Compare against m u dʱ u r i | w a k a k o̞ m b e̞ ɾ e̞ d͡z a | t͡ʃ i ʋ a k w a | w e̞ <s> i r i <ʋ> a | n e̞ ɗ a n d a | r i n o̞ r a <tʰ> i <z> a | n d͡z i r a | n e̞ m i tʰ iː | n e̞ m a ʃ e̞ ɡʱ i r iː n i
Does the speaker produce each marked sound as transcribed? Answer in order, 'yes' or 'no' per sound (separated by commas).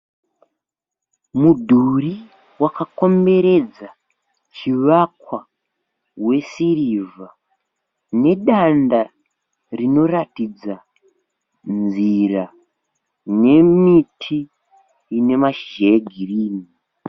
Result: yes, no, no, no